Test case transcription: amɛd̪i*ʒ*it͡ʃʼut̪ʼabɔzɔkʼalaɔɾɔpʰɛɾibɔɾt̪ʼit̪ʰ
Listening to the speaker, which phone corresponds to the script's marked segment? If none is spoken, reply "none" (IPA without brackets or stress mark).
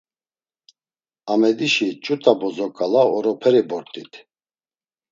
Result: ʃ